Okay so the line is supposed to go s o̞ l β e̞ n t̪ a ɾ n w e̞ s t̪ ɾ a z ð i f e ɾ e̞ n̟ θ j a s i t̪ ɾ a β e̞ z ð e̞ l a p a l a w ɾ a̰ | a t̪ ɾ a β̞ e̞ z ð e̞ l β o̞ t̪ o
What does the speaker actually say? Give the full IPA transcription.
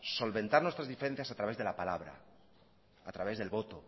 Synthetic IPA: s o̞ l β e̞ n t̪ a ɾ n w e̞ s t̪ ɾ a z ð i f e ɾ e̞ n̟ θ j a s a t̪ ɾ a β e̞ z ð e̞ l a p a l a β ɾ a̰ | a t̪ ɾ a β̞ e̞ z ð e̞ l β o̞ t̪ o